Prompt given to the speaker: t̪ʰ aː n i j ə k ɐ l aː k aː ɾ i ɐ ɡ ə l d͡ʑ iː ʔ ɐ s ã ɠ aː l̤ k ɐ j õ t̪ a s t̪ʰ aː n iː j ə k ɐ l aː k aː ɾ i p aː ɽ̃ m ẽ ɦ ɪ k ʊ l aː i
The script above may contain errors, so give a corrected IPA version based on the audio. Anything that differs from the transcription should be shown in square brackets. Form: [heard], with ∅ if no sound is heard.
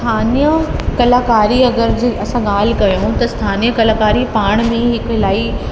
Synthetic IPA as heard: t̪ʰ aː n i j ə k ɐ l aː k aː ɾ i ɐ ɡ ə [ɾ] d͡ʑ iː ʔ ɐ s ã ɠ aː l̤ k ɐ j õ t̪ [ɐ] s t̪ʰ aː n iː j ə k ɐ l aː k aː ɾ i p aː ɽ̃ m ẽ ɦ ɪ k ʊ l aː i